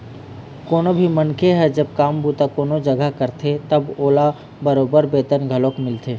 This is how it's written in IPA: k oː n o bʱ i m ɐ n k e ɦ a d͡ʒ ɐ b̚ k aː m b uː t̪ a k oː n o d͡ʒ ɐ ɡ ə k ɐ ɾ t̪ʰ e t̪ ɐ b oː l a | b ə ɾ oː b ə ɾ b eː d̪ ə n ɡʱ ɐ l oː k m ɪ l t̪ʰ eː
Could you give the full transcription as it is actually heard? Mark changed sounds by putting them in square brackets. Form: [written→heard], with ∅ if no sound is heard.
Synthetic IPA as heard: k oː n o bʱ i m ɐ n k e ɦ [a→ɛ] d͡ʒ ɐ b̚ k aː m b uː t̪ a k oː n o d͡ʒ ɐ ɡ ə k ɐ ɾ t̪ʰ e t̪ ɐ b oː l a | b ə ɾ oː b ə ɾ b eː [d̪→t̪] ə n ɡʱ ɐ l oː k m ɪ l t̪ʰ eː